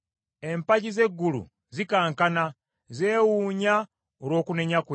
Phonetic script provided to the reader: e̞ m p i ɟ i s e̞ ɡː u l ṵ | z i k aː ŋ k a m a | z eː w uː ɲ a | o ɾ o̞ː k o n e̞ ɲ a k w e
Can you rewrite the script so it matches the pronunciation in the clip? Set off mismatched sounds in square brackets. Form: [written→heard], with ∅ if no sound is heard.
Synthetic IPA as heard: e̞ m p [i→a] ɟ i [s→z] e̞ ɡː u l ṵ | z i k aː ŋ k a [m→n] a | z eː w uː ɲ a | o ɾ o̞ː k [o→u] n e̞ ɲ a k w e